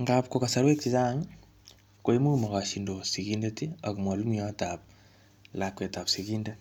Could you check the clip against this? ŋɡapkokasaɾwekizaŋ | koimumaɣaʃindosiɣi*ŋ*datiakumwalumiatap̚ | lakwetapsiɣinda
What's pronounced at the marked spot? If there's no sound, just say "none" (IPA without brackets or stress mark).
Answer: n